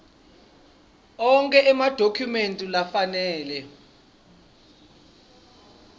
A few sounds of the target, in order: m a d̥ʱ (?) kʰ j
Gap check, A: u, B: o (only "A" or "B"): B